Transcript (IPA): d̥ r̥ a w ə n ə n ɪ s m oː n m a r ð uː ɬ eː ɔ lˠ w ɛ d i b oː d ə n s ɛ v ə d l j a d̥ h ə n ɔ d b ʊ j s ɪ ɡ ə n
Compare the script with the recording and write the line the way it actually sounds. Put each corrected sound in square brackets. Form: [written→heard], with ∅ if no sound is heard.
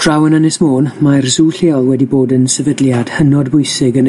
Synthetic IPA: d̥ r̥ a w ə n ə n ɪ s m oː n m a r [ð→z] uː ɬ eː ɔ lˠ w ɛ d i b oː d ə n s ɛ v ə d l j a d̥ h ə n ɔ d b ʊ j s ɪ ɡ ə n